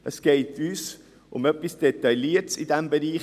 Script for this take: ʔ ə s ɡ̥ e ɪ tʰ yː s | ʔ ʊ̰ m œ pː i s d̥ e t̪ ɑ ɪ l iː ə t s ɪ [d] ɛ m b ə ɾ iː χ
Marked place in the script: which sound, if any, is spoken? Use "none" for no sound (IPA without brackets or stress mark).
d